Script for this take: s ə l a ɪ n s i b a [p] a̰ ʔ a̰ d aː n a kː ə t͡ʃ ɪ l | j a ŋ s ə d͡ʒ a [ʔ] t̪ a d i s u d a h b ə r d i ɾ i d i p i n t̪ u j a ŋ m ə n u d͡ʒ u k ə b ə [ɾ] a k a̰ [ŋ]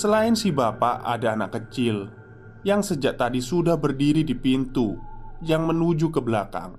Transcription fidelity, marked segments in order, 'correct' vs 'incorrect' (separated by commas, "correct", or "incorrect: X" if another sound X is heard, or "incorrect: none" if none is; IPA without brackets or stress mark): correct, correct, incorrect: l, correct